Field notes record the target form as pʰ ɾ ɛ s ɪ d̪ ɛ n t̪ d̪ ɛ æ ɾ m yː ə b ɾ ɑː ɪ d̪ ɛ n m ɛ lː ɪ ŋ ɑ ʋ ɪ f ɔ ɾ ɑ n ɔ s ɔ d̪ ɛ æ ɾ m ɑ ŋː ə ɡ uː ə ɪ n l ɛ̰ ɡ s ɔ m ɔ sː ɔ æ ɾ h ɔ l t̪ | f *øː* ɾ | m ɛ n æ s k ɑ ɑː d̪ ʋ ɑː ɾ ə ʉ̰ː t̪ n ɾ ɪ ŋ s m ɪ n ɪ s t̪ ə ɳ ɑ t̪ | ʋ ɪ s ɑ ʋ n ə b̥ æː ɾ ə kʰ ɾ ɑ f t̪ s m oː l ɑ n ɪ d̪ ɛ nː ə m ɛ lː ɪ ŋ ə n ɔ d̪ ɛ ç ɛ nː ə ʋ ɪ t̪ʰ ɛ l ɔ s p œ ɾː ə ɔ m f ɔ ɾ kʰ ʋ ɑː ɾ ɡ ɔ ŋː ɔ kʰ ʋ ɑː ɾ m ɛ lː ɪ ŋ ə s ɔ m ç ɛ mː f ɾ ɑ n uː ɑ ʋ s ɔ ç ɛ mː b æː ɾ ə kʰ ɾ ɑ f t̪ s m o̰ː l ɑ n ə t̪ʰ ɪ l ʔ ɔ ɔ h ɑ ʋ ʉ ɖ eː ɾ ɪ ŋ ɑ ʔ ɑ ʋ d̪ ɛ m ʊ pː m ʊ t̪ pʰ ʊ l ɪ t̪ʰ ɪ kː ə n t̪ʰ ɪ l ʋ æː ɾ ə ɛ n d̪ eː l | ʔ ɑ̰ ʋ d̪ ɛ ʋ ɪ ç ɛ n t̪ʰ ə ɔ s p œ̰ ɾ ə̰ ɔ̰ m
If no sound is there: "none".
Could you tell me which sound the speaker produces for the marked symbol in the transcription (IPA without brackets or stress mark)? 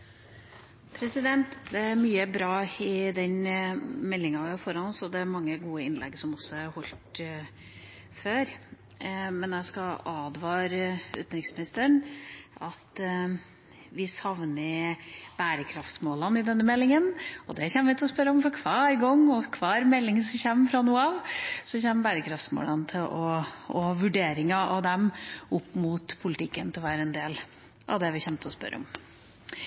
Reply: øː